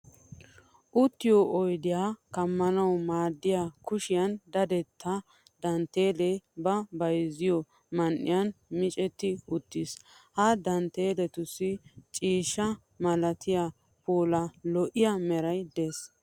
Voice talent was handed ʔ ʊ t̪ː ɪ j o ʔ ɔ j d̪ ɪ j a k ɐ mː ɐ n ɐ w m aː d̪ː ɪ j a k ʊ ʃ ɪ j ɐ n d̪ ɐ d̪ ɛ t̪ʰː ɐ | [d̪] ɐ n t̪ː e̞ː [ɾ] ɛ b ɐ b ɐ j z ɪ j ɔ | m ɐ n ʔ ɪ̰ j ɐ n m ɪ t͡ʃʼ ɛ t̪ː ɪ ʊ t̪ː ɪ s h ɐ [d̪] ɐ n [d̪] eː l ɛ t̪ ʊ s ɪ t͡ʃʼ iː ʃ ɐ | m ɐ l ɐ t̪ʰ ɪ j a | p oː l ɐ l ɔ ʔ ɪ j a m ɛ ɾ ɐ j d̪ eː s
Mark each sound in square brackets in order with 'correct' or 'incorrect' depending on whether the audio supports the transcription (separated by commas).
correct, incorrect, correct, incorrect